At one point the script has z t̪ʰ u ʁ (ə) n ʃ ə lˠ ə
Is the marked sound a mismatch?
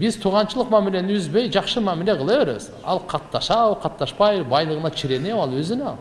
yes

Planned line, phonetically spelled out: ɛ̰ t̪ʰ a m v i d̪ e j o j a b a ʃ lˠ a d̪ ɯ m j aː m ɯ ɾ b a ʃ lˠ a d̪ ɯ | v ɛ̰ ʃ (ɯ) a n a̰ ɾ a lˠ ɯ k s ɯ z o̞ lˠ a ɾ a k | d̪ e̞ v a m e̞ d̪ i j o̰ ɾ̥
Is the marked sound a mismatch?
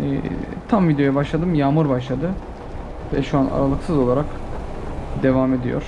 yes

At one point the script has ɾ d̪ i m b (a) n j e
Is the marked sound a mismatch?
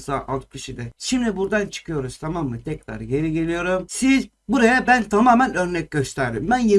yes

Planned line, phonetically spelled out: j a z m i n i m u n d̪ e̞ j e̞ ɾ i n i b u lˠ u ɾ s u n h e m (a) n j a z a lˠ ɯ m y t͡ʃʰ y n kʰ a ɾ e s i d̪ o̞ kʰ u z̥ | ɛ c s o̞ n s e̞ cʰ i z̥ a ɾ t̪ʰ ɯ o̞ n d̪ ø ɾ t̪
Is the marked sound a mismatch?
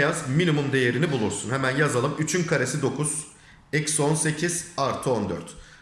yes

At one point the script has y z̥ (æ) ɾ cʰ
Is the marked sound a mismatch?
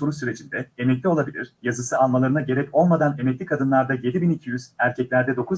no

